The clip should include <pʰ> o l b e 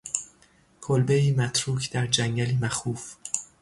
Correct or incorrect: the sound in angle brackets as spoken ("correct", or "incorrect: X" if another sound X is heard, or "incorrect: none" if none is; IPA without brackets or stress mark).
incorrect: kʰ